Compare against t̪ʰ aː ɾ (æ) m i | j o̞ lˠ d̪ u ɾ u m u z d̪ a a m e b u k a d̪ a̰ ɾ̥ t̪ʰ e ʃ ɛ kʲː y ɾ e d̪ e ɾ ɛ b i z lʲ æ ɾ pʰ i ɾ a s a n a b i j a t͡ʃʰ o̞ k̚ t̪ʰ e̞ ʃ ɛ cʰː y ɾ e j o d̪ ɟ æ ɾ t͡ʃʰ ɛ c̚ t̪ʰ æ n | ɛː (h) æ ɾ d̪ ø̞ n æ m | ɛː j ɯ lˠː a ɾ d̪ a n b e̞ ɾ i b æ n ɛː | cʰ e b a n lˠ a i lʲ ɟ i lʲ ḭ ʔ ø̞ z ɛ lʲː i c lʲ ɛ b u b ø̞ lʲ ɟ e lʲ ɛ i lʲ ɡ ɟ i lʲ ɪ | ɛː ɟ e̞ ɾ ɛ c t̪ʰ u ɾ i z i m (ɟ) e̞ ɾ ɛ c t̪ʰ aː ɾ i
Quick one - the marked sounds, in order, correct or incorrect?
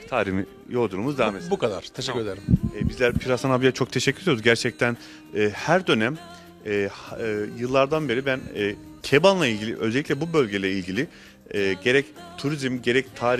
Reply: incorrect: i, correct, correct

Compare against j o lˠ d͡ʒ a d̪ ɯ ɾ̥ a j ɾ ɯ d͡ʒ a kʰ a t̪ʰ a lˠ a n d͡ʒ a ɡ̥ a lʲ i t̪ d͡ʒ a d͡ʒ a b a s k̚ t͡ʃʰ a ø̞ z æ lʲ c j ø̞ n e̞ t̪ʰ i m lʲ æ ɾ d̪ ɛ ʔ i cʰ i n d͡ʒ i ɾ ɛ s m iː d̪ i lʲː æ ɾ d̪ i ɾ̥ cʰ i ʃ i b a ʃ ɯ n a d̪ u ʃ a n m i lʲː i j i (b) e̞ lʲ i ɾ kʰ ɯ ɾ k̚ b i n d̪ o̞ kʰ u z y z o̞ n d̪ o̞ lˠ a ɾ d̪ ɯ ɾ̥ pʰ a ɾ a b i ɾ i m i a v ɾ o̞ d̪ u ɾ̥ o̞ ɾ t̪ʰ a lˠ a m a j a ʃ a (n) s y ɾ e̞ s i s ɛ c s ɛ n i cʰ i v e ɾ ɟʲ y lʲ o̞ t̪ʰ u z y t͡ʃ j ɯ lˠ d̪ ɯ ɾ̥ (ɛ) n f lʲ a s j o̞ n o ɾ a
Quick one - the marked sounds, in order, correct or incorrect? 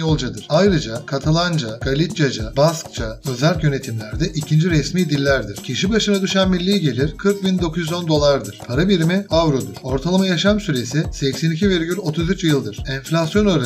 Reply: incorrect: ɟ, incorrect: m, correct

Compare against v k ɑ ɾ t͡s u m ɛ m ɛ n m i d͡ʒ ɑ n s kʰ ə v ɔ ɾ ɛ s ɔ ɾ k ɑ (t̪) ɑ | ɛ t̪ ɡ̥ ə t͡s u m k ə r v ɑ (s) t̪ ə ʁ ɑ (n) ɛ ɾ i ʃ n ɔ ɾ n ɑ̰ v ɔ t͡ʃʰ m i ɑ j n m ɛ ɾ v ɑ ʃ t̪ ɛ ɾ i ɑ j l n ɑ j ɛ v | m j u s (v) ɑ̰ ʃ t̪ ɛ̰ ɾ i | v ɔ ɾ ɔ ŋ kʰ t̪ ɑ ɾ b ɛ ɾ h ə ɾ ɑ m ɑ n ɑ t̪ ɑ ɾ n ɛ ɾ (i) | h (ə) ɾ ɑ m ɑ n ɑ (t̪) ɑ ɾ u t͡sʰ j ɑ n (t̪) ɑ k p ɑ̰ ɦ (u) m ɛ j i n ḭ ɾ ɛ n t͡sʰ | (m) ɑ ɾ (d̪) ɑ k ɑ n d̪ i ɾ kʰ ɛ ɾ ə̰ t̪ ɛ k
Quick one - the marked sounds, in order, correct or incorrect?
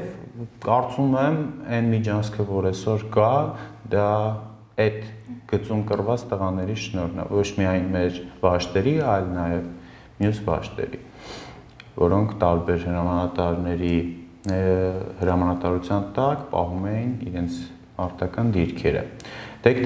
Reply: incorrect: d̪, incorrect: t͡s, correct, correct, correct, correct, correct, correct, correct, correct, incorrect: t̪

